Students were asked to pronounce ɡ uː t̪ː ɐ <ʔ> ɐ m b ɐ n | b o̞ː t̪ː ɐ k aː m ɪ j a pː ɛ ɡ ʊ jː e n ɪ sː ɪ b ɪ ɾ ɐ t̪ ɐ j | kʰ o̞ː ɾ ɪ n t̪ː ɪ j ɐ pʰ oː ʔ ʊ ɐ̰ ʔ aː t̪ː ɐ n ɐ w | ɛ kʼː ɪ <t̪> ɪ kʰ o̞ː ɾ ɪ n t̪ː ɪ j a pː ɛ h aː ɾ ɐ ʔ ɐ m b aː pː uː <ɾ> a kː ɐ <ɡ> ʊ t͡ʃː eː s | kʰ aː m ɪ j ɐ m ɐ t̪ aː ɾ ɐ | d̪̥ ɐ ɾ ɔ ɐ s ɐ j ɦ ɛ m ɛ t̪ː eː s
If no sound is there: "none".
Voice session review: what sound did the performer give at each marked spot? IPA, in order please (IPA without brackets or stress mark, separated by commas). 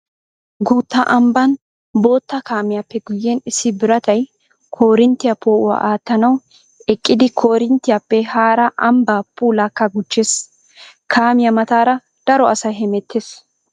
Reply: ʔ, d̪, l, ɡ